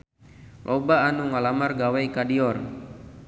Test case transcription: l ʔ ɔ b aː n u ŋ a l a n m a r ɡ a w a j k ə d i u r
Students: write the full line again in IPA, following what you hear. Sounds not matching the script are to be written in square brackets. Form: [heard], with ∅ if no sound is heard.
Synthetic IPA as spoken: l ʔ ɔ b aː n u ŋ a l a [∅] m a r ɡ a w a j k [a] d i [ɔ] r